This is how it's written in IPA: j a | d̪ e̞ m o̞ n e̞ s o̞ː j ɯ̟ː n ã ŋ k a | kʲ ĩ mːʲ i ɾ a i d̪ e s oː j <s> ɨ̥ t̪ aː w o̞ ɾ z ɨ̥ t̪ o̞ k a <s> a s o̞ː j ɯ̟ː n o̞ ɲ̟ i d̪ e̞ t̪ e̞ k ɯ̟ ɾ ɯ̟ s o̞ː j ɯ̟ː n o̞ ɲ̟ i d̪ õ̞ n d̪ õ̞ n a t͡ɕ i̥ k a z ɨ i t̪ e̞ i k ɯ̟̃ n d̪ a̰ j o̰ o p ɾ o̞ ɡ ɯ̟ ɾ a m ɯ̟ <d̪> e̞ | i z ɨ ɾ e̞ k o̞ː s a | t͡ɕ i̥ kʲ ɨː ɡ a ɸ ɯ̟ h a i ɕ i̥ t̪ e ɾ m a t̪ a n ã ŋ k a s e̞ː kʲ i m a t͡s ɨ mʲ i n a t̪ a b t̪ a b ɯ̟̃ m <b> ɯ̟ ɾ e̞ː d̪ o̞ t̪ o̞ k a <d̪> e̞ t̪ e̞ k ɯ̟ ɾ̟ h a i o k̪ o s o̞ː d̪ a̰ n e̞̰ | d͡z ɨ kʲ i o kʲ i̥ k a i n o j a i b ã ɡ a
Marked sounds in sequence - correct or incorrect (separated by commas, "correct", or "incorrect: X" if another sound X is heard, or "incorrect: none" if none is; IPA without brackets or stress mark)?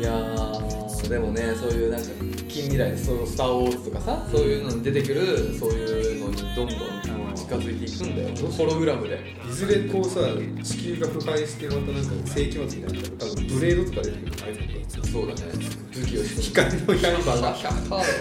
correct, correct, correct, correct, correct